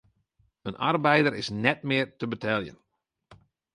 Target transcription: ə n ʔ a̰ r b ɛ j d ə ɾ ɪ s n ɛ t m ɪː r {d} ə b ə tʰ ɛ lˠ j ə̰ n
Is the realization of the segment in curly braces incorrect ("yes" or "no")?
yes